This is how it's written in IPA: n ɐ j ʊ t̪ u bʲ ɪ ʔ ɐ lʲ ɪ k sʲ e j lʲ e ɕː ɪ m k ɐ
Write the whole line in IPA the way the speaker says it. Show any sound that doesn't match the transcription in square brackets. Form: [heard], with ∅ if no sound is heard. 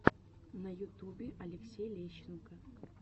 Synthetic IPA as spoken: n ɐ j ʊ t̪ u bʲ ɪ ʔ ɐ lʲ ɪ k sʲ e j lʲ e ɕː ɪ [n] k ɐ